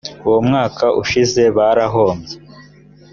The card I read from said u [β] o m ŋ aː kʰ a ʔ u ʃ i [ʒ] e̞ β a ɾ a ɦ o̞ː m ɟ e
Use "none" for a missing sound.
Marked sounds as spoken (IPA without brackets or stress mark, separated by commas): w, z